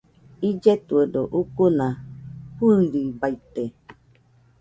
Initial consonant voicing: voiced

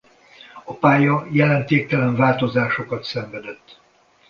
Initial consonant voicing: voiceless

